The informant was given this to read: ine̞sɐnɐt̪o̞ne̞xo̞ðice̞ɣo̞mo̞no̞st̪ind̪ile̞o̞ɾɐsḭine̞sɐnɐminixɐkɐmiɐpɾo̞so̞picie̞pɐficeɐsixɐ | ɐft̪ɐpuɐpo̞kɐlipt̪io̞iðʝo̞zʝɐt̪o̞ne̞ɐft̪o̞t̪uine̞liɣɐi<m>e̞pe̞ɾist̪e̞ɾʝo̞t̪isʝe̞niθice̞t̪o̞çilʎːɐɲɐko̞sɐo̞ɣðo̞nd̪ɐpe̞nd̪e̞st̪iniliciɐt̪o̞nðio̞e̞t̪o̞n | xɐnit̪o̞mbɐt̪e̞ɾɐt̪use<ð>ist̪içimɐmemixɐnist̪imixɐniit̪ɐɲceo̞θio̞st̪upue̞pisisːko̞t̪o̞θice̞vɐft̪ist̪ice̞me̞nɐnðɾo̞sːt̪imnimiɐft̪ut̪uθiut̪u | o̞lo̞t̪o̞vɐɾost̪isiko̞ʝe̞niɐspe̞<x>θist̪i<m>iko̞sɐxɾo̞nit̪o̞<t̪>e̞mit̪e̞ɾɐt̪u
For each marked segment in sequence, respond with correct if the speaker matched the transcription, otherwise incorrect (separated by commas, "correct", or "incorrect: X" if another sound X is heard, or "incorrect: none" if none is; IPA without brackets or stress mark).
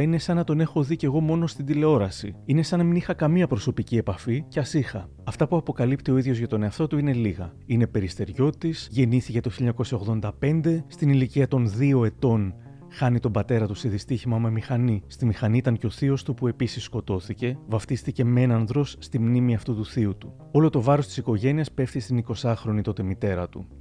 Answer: incorrect: n, correct, incorrect: f, incorrect: n, correct